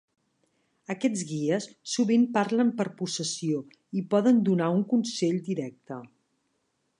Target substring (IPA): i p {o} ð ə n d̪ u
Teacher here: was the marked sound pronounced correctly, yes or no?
no